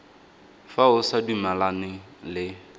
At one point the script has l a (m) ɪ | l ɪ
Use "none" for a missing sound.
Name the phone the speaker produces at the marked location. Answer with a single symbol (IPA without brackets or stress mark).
n